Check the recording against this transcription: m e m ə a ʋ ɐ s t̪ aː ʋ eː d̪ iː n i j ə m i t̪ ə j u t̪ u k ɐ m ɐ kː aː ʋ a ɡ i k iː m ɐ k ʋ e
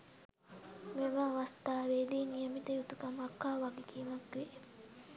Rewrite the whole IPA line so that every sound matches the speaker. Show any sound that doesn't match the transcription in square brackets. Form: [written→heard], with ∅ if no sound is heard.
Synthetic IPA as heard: m e m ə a ʋ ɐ s t̪ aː ʋ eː d̪ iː n i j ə m i t̪ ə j u t̪ u k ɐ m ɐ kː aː ʋ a ɡ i k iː m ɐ k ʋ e